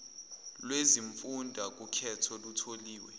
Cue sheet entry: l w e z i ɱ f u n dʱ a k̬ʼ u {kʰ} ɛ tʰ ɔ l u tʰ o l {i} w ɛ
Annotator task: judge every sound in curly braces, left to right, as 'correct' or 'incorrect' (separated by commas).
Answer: correct, incorrect